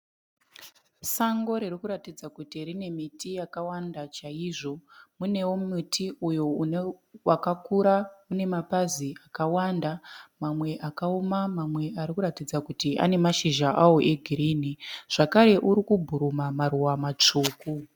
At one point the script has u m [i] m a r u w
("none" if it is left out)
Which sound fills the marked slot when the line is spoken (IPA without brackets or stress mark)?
a